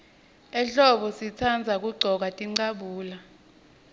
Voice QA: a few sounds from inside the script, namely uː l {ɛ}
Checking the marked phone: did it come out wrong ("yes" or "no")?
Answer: yes